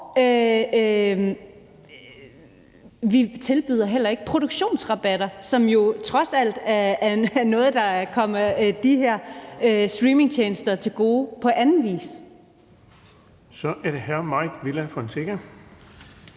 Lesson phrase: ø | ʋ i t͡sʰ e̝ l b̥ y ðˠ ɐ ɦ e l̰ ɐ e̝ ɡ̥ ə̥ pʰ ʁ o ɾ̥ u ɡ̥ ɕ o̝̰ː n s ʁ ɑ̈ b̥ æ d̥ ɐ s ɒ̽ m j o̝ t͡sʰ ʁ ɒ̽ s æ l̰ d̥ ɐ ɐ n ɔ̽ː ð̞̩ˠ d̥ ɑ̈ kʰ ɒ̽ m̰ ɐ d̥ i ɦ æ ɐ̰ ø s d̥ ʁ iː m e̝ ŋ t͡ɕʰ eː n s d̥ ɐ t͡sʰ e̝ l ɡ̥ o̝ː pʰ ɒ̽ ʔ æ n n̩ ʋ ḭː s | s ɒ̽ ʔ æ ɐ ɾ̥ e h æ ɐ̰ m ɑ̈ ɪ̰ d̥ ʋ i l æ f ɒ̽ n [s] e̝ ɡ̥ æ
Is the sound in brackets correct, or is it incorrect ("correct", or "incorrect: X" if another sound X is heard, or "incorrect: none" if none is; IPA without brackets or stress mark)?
correct